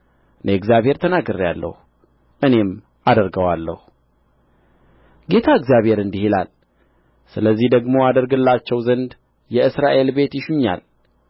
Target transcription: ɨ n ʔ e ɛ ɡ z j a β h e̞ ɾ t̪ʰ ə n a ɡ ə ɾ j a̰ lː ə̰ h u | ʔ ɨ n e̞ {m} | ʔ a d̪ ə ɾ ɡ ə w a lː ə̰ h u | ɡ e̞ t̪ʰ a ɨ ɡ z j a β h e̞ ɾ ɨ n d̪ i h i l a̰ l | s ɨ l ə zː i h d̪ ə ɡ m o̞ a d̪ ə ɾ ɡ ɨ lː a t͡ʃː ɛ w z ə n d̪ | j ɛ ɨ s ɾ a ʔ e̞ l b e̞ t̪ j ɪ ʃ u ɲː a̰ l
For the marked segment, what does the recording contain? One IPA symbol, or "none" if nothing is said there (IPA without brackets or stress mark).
m